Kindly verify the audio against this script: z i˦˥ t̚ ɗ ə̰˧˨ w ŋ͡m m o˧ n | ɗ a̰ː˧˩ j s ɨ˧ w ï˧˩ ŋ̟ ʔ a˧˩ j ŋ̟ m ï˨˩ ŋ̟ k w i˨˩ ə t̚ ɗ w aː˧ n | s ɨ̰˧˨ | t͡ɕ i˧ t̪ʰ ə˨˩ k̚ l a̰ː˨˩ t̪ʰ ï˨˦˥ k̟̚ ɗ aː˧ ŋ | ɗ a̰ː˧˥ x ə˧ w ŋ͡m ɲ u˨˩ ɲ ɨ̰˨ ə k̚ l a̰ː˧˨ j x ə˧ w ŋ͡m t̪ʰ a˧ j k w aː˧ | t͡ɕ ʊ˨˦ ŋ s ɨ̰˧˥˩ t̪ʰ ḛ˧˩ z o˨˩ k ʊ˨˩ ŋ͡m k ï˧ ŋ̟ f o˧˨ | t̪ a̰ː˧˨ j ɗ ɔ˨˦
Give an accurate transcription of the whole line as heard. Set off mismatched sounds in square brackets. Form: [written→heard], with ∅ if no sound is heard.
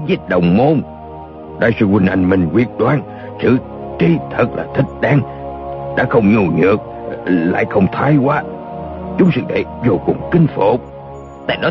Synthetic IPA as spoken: z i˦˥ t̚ ɗ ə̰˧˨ w ŋ͡m m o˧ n | ɗ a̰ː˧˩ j s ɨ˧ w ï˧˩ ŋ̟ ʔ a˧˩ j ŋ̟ m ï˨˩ ŋ̟ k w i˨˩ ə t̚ ɗ w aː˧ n | s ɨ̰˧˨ | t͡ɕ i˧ t̪ʰ ə˨˩ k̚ l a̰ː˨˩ t̪ʰ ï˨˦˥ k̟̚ ɗ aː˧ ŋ | ɗ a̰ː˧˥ x ə˧ w ŋ͡m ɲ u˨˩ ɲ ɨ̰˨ ə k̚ l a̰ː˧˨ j x ə˧ w ŋ͡m t̪ʰ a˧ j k w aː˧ | t͡ɕ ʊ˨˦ [ŋ→ŋ͡m] s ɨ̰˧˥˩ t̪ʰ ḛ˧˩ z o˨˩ k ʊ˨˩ ŋ͡m k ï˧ ŋ̟ f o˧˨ | t̪ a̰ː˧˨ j ɗ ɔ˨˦